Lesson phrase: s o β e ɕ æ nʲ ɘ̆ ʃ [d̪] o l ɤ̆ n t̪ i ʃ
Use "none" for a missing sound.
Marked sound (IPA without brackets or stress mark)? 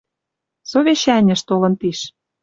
t̪